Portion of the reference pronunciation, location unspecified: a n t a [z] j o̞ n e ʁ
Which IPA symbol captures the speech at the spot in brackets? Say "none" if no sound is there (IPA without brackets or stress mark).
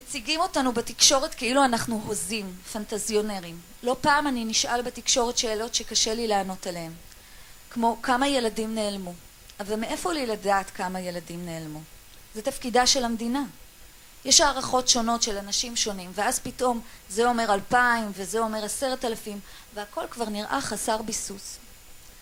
z